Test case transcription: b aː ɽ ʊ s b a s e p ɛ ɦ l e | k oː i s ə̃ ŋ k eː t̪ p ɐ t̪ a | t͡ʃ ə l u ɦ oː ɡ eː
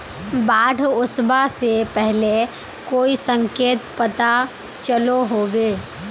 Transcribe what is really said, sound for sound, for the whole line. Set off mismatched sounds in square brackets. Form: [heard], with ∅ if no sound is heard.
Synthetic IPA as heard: b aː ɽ ʊ s b a s e p ɛ ɦ l e | k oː i s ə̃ ŋ k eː t̪ p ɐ t̪ a | t͡ʃ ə l [o] ɦ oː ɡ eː